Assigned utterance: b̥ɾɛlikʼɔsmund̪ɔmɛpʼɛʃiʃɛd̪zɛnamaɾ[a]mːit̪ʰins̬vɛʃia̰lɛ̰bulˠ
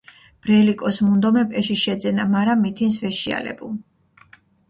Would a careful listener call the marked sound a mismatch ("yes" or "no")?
no